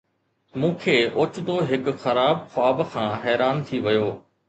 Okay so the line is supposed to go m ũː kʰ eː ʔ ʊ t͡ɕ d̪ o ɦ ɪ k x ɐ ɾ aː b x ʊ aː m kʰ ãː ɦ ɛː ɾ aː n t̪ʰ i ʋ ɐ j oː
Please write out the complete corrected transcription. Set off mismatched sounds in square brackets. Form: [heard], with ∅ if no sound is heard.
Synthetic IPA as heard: m ũː kʰ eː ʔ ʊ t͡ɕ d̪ o ɦ ɪ k x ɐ ɾ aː b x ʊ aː [b] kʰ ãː ɦ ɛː ɾ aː n t̪ʰ i ʋ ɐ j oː